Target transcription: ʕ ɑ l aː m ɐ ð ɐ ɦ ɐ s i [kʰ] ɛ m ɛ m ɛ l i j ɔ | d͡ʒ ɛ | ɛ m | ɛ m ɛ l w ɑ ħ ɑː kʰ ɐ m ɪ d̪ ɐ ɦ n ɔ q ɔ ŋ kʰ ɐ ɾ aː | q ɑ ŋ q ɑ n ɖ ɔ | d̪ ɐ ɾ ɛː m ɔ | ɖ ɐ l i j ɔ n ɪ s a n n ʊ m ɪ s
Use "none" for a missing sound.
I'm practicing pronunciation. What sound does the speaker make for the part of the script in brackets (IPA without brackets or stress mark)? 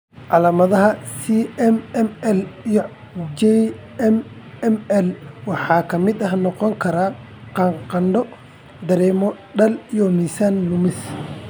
none